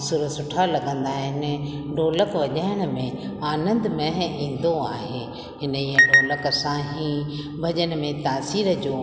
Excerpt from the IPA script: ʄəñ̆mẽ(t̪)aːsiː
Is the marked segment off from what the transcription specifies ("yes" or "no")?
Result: no